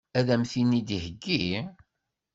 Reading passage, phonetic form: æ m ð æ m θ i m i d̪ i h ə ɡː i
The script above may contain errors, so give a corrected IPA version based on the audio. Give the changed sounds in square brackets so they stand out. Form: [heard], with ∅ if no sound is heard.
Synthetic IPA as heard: æ [∅] ð æ m θ i [n] i d̪ i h ə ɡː i